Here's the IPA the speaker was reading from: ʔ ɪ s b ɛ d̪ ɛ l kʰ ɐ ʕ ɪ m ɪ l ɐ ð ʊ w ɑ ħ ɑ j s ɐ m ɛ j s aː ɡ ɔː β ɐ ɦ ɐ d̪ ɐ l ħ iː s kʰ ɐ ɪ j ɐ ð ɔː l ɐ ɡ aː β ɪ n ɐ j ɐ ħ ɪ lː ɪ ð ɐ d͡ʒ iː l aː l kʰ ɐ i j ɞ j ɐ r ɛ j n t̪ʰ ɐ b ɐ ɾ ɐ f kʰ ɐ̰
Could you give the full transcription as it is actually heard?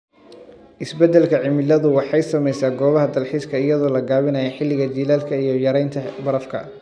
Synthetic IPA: ʔ ɪ s b ɛ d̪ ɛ l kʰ ɐ ʕ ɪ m ɪ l ɐ ð ʊ w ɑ ħ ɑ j s ɐ m ɛ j s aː ɡ ɔː β ɐ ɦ ɐ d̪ ɐ l ħ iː s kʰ ɐ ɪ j ɐ ð ɔː l ɐ ɡ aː β ɪ n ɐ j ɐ ħ ɪ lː ɪ ɣ ɐ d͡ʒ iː l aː l kʰ ɐ i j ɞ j ɐ ɾ ɛ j n t̪ʰ ɐ b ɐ ɾ ɐ f kʰ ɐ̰

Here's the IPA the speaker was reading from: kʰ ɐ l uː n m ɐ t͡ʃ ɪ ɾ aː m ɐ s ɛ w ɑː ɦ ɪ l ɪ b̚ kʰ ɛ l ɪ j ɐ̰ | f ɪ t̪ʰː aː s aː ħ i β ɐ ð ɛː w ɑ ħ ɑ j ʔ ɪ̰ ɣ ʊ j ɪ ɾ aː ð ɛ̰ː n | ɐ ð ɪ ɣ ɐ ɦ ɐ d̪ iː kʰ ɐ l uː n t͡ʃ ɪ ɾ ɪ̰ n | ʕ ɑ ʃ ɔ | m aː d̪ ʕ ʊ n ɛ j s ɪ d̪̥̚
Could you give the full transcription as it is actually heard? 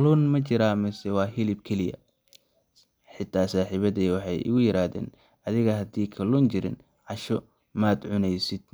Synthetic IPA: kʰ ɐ l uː n m ɐ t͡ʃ ɪ ɾ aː m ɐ s ɛ w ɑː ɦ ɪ l ɪ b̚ kʰ ɛ l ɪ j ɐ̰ | ħ ɪ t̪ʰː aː s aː ħ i β ɐ ð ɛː w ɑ ħ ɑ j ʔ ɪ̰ ɣ ʊ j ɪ ɾ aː ð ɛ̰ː n | ɐ ð ɪ ɣ ɐ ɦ ɐ d̪ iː kʰ ɐ l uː n t͡ʃ ɪ ɾ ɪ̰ n | ʕ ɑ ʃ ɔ | m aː d̪ ʕ ʊ n ɛ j s ɪ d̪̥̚

